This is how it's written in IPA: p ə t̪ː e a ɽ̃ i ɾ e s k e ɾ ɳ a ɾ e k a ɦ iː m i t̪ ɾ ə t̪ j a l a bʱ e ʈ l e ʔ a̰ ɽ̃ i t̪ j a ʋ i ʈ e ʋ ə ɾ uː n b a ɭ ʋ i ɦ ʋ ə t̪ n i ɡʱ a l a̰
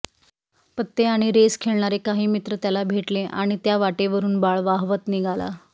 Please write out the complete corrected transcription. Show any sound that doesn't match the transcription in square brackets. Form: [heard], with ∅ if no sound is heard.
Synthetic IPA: p ə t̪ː e a ɽ̃ i ɾ e s [kʰ] e [ɭ] ɳ a ɾ e k a ɦ iː m i t̪ ɾ ə t̪ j a l a bʱ e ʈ l e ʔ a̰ ɽ̃ i t̪ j a ʋ [a] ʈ e ʋ ə ɾ uː n b a ɭ ʋ [a] ɦ ʋ ə t̪ n i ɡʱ a l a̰